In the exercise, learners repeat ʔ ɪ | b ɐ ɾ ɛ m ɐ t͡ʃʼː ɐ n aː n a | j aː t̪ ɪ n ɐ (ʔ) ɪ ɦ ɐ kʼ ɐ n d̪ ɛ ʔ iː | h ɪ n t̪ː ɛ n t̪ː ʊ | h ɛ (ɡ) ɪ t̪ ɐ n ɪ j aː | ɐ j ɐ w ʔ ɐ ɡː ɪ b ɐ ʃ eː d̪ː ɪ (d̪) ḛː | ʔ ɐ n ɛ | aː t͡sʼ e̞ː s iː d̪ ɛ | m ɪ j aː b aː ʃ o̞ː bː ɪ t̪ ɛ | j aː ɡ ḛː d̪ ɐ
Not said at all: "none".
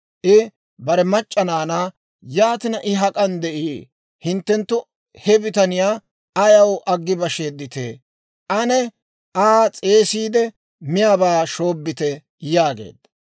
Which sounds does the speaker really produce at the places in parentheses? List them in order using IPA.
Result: ʔ, b, t̪

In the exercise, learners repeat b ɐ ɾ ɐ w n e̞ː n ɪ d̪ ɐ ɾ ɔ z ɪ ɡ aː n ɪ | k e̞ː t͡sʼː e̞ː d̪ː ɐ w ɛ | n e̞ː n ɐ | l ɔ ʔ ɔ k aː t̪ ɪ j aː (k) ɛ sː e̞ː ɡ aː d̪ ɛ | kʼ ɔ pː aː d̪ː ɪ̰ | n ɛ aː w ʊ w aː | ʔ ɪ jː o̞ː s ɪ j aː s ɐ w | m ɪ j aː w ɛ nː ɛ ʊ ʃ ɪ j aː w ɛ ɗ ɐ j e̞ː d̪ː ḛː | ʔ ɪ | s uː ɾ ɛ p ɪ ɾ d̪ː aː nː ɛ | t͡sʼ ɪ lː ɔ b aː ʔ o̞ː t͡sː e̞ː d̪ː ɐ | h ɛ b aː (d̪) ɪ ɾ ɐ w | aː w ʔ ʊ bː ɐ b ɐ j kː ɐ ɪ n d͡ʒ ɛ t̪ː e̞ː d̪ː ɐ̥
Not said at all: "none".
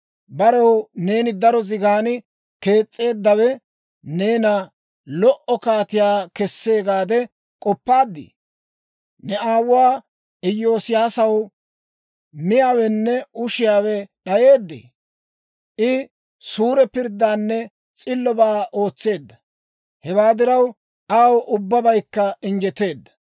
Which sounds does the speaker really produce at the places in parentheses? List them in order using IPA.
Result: k, d̪

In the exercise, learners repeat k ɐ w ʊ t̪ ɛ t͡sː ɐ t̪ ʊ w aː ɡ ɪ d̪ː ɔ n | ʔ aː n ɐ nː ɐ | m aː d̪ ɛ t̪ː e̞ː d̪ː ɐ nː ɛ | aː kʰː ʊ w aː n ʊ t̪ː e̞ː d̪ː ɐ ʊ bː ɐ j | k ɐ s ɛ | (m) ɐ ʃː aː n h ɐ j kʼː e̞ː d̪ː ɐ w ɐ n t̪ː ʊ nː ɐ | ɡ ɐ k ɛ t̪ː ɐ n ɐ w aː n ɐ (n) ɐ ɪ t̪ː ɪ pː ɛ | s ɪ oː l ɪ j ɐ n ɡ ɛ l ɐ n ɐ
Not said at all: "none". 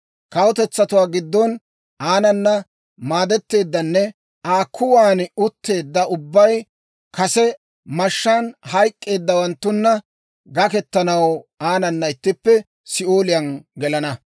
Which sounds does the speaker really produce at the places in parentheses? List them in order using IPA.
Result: m, nː

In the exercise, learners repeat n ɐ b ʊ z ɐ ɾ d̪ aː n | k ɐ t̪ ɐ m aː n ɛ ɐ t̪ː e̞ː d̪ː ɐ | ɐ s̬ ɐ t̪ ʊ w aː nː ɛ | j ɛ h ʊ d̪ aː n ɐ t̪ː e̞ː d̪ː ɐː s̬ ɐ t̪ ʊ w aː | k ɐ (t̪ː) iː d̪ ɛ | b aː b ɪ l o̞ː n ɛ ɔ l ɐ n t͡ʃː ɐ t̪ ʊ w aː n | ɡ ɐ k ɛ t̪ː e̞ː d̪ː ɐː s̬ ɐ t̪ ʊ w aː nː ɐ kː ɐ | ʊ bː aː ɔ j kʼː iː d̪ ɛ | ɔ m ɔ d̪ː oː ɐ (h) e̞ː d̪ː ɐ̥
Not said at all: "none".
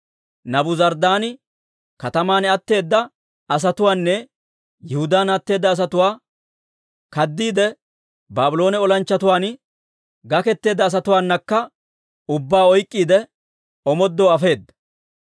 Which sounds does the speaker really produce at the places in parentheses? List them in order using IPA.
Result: d̪ː, f

